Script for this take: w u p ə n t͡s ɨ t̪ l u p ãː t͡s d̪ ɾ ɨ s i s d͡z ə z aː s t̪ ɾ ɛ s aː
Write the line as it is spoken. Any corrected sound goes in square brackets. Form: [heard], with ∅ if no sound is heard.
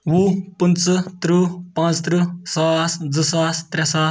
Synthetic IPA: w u p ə n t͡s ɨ t̪ [ɾ] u p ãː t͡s [t̪] ɾ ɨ s [a] s d͡z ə [s] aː s t̪ ɾ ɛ s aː